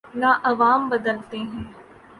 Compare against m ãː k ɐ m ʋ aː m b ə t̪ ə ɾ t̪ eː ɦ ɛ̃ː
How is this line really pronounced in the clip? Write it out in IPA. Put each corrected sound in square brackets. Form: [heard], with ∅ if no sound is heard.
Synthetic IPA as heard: [n] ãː [ʔ] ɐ [∅] ʋ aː m b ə [d̪] ə [l] t̪ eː ɦ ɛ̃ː